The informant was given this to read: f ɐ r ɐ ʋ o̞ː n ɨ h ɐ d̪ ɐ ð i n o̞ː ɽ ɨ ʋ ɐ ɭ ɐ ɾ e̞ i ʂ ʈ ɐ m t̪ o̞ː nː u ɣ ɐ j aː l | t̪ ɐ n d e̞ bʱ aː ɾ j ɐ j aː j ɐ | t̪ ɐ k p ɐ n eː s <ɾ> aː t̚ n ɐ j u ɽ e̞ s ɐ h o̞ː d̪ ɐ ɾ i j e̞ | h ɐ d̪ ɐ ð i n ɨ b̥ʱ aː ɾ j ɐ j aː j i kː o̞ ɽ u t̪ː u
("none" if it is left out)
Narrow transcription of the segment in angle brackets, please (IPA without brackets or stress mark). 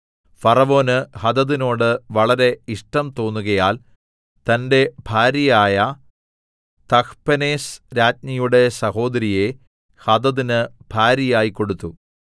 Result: ɾ